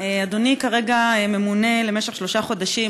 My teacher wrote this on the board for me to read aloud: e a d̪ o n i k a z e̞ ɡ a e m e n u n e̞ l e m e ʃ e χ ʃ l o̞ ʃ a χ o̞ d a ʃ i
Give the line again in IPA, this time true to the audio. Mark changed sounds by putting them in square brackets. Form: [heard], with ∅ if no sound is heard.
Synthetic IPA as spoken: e a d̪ o n i k a [ʁ] e̞ ɡ a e m e [m] u n e̞ l e m e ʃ e χ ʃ l o̞ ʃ a χ o̞ d a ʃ i